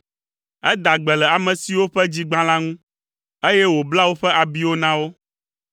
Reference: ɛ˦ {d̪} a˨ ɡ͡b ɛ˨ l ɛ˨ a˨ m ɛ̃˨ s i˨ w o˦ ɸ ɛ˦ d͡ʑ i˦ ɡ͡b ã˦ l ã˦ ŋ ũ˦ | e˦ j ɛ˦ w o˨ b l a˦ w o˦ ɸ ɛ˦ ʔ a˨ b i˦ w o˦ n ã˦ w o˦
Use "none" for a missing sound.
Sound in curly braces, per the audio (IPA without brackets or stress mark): d̪